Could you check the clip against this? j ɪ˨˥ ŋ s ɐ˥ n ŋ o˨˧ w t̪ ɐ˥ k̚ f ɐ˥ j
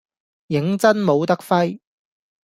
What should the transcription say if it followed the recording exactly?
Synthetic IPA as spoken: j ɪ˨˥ ŋ t͡s ɐ˥ n m o˨˧ w t̪ ɐ˥ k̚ f ɐ˥ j